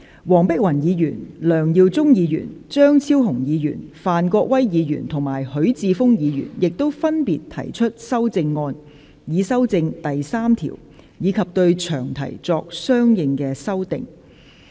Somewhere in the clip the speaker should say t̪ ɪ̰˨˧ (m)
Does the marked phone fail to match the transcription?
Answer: yes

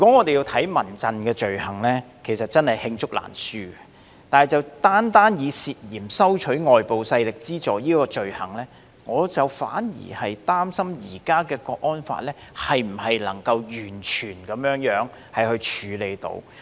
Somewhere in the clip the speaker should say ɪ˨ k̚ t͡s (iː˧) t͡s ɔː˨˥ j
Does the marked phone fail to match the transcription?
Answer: yes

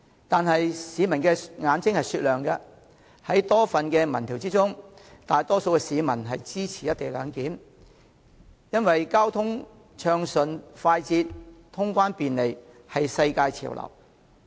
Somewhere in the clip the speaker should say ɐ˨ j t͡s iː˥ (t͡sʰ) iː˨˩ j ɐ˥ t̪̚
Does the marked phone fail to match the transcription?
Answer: no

